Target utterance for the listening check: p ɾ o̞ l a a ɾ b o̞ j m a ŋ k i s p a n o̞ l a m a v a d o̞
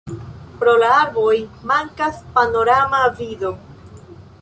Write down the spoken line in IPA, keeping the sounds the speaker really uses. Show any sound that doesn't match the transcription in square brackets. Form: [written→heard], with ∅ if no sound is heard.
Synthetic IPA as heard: p ɾ o̞ l a a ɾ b o̞ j m a ŋ k [i→a] s p a n o̞ [l→ɾ] a m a v [a→i] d o̞